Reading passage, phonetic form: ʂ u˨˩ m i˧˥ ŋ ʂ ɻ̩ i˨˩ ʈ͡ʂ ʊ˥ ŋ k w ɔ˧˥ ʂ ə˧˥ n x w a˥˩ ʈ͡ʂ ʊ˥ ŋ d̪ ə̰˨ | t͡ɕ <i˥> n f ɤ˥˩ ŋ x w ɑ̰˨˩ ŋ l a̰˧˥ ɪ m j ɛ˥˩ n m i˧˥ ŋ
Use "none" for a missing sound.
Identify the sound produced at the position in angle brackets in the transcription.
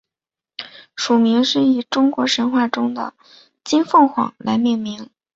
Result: i˥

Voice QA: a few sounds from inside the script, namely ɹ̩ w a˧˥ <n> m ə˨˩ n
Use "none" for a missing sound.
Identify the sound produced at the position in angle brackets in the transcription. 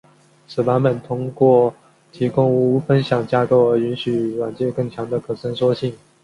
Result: n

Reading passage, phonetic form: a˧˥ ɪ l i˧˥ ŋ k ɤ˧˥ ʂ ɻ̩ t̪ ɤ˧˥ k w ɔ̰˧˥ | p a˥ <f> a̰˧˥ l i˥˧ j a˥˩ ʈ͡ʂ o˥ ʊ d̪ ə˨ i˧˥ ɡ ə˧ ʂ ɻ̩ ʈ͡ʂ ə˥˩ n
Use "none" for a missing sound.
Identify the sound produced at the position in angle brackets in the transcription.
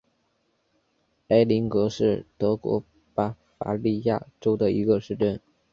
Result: f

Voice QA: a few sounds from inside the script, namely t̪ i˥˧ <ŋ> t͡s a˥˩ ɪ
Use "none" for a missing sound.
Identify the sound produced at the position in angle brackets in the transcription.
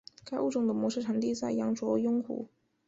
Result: none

